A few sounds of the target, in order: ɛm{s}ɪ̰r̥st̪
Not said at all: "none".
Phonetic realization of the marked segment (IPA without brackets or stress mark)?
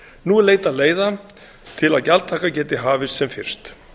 f